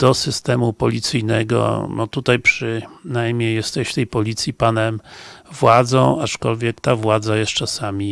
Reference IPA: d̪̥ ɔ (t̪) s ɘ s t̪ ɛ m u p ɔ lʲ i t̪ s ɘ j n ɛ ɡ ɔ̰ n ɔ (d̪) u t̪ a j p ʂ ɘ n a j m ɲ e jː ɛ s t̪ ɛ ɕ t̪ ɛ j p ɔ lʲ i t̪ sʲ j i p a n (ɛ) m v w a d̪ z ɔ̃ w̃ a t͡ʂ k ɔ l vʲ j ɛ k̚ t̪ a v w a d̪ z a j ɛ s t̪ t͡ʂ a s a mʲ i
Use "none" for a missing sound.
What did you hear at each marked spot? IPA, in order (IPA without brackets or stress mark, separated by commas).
none, t̪, ɛ